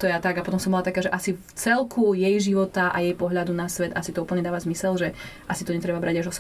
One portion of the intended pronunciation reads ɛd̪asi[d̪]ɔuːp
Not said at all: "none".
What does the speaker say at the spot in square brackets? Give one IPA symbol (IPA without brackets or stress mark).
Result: t̪